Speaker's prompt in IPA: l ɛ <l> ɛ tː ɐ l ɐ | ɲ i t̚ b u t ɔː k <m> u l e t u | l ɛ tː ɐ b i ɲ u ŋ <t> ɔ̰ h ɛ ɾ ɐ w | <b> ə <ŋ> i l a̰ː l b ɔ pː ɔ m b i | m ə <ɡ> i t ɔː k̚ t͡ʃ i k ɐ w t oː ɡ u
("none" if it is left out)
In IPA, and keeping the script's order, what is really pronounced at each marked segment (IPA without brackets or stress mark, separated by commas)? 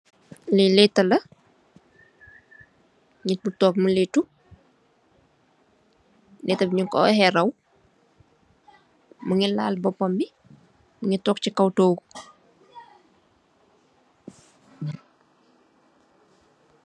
l, m, k, m, ŋ, ŋ